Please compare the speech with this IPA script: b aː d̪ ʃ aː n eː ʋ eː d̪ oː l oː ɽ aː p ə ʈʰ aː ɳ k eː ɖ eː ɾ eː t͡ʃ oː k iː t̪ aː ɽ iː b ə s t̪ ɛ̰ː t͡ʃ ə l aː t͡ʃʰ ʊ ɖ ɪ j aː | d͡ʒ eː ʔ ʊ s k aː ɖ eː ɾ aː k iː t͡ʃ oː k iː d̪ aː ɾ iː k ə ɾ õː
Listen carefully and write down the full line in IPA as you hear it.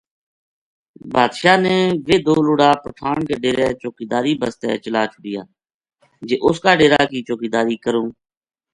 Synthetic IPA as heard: b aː d̪ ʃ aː n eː ʋ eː d̪ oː l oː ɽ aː p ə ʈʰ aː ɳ k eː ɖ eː ɾ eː t͡ʃ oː k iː d̪ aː ɾ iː b ə s t̪ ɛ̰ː t͡ʃ ə l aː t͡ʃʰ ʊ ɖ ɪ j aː | d͡ʒ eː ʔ ʊ s k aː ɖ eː ɾ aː k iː t͡ʃ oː k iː d̪ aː ɾ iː k ə ɾ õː